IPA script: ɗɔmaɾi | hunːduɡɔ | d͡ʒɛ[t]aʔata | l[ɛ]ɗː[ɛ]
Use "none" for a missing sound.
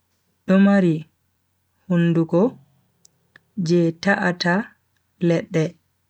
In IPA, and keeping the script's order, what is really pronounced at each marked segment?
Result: t, ɛ, ɛ

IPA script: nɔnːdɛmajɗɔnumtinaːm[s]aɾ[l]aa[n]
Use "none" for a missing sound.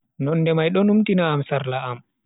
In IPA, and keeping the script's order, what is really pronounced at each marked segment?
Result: s, l, m

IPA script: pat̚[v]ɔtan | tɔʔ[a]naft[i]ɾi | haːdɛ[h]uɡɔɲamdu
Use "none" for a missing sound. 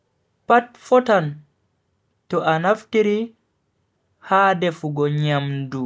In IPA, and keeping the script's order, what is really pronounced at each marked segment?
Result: f, a, i, f

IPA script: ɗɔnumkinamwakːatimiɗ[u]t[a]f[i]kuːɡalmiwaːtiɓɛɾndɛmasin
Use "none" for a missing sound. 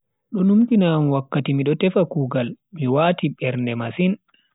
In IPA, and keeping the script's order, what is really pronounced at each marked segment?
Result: ɔ, ɛ, a

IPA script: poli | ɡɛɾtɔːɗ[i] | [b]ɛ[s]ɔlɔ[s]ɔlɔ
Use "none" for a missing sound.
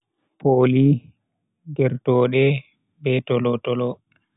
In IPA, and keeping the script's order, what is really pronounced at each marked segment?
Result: ɛ, b, t, t

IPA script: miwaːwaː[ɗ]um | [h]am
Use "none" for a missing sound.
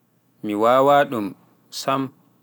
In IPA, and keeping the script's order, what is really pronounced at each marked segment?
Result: ɗ, s

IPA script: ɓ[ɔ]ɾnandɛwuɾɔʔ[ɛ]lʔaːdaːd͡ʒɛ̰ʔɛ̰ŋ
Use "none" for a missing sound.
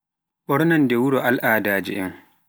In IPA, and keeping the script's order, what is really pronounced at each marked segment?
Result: ɔ, a

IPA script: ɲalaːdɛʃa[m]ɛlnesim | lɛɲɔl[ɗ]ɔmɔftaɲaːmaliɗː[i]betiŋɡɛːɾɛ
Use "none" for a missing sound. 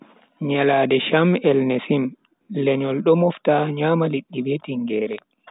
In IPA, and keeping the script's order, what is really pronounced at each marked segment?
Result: m, ɗ, i

